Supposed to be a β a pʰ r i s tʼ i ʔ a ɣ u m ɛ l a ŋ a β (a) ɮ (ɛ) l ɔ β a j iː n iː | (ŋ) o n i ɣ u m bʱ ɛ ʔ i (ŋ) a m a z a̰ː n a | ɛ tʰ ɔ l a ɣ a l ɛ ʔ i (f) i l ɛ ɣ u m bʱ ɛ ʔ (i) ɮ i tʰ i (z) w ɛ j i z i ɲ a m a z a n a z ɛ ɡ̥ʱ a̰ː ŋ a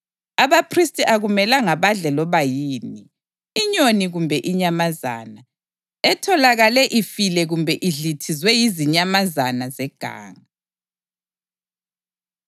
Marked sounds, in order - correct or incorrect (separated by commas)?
correct, correct, incorrect, incorrect, correct, correct, correct